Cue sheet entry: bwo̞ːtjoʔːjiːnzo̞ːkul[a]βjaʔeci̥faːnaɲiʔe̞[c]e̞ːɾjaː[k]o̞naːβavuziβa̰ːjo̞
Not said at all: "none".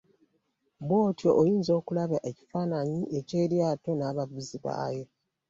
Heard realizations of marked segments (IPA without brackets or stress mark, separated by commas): a, c, t